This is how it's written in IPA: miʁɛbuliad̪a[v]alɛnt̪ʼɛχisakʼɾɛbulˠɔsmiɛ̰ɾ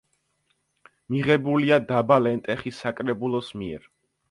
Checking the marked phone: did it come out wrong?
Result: yes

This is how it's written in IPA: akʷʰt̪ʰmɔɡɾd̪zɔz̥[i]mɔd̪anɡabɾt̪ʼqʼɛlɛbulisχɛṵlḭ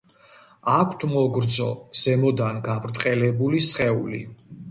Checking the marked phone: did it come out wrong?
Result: yes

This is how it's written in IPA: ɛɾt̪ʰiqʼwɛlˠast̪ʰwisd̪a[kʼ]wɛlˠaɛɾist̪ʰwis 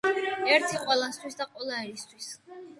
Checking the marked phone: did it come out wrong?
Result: yes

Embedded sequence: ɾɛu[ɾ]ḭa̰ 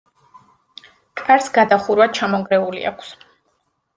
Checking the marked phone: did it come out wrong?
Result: yes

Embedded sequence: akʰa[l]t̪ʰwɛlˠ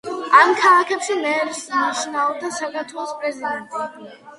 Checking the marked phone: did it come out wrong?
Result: yes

